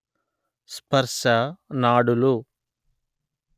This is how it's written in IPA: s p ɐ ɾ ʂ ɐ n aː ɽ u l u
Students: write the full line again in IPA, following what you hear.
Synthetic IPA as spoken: s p ɐ ɾ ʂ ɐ n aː ɽ u l u